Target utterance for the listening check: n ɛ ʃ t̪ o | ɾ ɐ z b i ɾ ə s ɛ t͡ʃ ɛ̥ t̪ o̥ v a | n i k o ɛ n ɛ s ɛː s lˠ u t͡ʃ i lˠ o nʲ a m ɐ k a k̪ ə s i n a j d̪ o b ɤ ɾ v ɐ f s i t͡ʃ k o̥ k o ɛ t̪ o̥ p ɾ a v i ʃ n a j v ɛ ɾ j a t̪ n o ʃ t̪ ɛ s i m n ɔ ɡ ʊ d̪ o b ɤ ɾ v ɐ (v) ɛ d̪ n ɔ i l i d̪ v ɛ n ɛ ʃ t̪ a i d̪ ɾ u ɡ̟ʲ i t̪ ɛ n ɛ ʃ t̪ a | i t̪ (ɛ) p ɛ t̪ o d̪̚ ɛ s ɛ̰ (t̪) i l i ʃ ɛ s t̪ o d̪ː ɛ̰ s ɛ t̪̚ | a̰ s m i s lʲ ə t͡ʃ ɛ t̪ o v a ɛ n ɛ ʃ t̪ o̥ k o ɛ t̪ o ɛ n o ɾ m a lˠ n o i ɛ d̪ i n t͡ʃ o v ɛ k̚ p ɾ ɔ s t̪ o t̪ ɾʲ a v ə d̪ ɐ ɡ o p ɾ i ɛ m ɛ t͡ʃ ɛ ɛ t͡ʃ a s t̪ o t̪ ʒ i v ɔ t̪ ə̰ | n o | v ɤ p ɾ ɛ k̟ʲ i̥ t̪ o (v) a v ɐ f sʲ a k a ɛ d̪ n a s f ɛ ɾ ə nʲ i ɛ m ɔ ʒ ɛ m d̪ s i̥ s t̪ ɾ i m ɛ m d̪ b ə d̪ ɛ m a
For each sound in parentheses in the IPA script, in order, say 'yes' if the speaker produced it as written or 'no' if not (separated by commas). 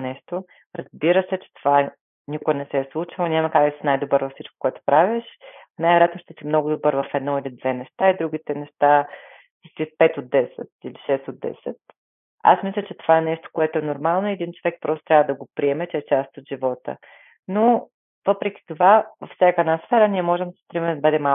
no, no, yes, yes